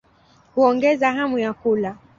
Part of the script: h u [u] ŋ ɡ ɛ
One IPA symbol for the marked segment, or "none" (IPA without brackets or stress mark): ɔ